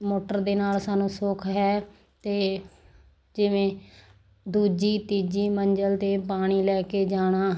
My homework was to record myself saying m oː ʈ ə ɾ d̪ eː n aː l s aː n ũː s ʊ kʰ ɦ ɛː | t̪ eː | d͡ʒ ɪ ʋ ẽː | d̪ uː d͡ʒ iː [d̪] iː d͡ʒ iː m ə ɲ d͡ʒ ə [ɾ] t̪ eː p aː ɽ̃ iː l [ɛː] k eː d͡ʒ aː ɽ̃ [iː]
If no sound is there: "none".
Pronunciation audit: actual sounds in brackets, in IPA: t̪, l, ɛː, aː

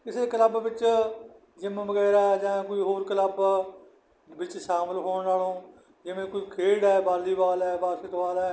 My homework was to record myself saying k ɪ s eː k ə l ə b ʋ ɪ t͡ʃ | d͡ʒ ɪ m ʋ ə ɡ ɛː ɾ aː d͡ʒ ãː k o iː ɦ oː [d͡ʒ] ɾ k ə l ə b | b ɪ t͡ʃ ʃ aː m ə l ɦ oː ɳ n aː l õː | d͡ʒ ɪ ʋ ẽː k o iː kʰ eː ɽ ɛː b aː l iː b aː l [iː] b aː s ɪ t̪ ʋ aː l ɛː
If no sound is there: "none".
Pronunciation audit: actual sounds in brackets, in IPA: none, ɛː

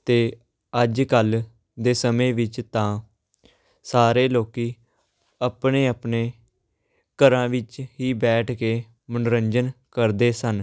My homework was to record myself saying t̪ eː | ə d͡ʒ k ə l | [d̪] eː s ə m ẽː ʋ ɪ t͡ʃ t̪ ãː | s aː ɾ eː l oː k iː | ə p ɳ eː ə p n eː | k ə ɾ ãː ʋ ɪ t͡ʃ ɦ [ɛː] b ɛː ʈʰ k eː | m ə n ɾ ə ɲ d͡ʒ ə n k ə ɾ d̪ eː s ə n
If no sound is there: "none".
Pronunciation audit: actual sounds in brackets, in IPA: d̪, iː

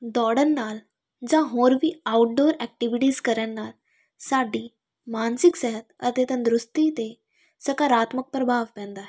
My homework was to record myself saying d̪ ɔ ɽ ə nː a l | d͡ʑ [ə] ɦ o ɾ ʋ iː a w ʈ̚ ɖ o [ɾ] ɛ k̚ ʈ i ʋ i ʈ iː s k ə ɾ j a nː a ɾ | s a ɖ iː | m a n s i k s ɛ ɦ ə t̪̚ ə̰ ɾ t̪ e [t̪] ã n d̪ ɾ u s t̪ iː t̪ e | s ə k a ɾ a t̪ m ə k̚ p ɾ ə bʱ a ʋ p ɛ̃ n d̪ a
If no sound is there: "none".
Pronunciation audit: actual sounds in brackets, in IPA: a, ɾ, t̪

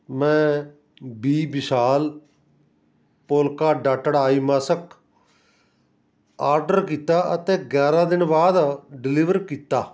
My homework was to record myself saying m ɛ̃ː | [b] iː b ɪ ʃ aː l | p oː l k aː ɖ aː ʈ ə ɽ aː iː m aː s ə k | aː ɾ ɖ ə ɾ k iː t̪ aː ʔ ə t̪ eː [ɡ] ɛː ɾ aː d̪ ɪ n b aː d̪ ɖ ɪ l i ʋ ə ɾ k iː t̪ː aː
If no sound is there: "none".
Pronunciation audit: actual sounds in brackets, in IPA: b, ɡ

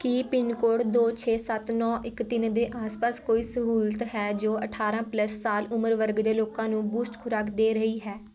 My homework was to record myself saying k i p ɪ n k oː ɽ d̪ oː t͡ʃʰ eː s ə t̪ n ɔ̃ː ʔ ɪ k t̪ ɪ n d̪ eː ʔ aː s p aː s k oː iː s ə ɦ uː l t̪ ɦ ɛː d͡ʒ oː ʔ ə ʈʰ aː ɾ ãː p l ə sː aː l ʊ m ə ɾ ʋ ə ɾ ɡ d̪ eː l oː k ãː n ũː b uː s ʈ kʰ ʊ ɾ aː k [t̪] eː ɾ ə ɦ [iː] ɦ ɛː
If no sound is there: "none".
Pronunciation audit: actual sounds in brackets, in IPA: d̪, iː

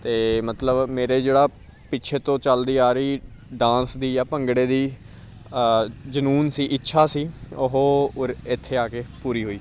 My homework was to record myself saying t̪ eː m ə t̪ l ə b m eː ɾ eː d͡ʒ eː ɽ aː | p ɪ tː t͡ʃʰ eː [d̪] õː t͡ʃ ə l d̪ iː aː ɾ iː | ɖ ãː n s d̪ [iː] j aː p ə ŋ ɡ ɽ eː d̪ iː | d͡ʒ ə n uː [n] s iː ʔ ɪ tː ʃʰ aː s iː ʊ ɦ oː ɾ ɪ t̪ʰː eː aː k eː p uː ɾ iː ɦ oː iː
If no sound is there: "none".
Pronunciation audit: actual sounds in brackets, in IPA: t̪, iː, n

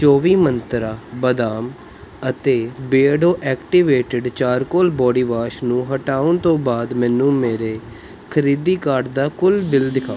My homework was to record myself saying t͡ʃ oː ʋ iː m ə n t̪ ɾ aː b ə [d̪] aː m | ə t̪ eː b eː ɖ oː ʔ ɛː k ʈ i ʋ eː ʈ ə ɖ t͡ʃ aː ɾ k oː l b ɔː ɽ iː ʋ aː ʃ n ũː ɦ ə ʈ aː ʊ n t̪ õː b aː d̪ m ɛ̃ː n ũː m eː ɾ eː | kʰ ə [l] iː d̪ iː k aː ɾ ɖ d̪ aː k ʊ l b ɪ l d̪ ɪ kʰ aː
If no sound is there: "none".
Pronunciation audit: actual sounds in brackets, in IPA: d̪, ɾ

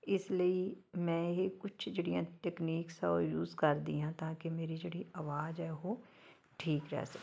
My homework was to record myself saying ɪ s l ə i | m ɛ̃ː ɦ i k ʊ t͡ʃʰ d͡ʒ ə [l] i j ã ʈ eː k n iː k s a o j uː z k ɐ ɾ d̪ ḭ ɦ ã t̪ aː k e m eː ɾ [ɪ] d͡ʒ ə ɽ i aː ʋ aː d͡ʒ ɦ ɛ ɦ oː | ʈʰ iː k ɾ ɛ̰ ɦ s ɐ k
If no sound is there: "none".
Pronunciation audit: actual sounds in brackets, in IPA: ɽ, i

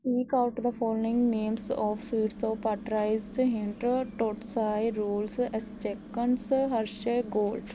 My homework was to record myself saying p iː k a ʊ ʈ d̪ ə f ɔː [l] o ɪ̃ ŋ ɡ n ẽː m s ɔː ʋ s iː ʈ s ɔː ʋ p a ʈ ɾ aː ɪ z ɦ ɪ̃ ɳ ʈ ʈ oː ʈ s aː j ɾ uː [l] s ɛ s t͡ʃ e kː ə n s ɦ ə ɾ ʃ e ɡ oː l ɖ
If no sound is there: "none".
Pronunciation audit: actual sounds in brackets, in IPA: l, l

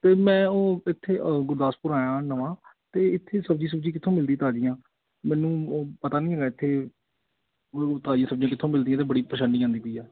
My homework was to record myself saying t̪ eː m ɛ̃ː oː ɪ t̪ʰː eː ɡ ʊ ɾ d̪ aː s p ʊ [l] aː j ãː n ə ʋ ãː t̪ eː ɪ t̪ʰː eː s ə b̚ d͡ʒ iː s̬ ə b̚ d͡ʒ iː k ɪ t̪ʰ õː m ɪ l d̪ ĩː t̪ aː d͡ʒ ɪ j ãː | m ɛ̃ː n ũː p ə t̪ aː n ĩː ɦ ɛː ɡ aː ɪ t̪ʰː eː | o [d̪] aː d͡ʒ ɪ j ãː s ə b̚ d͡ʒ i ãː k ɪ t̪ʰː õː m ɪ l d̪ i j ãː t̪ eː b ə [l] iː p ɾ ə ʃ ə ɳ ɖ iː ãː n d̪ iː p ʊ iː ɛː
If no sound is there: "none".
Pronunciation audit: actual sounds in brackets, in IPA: ɾ, t̪, ɽ

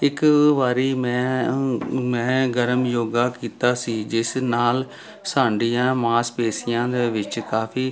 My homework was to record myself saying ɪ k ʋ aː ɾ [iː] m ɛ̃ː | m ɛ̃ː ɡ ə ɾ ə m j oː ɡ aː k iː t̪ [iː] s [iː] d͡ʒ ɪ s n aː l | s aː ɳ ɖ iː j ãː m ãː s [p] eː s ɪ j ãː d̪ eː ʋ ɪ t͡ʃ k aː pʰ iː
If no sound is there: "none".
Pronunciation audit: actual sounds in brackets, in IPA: iː, aː, iː, p

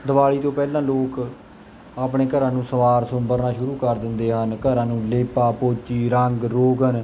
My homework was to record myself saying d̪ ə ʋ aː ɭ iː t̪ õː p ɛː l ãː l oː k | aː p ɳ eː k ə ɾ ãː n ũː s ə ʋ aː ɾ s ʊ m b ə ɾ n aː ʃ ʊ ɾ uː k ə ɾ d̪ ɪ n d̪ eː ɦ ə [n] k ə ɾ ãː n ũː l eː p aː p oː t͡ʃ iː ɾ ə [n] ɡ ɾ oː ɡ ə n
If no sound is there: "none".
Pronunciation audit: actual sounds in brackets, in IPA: n, ŋ

